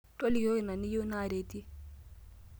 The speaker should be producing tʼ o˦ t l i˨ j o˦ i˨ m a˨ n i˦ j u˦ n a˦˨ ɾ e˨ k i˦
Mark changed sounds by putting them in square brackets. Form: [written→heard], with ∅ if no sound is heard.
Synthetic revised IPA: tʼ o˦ [t→∅] l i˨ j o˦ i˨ [m→n] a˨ n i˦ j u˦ n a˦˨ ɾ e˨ [k→t] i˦

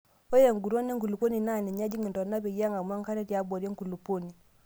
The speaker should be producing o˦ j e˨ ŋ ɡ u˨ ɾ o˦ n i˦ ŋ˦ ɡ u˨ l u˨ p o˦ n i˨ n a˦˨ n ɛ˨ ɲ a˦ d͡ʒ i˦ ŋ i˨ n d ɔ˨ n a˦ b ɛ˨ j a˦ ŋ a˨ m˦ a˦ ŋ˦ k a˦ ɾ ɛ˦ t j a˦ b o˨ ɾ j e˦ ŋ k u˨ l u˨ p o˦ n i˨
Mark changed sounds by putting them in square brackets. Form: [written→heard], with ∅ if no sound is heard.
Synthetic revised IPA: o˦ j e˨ ŋ ɡ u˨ ɾ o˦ n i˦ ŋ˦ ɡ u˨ l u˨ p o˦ n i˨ n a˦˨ n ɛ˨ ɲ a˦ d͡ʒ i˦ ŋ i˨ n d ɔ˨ n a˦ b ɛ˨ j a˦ ŋ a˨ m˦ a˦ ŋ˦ k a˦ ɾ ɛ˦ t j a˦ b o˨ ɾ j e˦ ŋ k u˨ l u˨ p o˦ n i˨

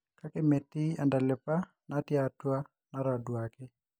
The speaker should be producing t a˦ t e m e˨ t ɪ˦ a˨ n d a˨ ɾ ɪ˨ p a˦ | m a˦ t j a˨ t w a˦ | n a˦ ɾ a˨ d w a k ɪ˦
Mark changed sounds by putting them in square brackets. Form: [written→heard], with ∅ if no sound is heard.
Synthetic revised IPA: [t→k] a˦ [t→k] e m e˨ t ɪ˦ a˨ n d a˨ [ɾ→l] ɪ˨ p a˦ | [m→n] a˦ t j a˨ t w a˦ | n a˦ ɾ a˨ d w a k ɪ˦

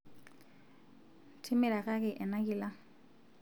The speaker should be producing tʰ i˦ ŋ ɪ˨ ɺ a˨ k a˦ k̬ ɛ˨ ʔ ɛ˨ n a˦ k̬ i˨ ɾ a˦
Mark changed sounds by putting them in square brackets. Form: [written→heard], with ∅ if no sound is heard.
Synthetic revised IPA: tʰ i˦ [ŋ→m] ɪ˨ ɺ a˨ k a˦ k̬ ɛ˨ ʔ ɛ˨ n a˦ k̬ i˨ [ɾ→l] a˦

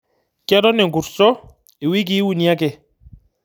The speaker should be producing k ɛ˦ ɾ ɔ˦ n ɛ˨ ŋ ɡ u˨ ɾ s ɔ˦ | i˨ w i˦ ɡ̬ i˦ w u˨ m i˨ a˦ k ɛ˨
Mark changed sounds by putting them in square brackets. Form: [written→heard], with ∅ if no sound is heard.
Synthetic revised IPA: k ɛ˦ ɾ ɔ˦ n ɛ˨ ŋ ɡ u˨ ɾ s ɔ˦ | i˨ w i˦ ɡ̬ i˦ w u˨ [m→n] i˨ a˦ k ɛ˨

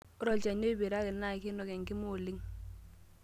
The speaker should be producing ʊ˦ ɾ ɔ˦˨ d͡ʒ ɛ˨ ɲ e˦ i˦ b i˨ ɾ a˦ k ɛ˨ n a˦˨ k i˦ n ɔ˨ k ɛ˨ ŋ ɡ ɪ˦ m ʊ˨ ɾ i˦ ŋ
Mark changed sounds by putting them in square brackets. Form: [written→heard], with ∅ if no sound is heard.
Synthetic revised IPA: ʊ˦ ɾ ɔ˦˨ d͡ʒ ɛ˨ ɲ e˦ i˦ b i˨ ɾ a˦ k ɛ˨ n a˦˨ k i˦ n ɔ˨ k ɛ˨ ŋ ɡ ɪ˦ m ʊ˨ [ɾ→l] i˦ ŋ

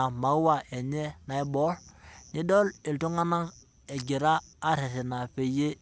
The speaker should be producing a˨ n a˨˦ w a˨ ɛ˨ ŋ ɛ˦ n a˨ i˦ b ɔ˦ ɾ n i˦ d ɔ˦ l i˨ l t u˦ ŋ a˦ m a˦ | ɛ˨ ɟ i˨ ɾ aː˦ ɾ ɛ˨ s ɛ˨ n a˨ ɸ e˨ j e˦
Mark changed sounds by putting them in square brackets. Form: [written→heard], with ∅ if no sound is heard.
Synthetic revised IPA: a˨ [n→m] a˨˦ w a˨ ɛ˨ [ŋ→ɲ] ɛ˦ n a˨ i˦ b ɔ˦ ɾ n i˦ d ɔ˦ l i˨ l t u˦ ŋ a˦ [m→n] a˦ | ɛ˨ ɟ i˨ ɾ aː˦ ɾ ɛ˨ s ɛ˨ n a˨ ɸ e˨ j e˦

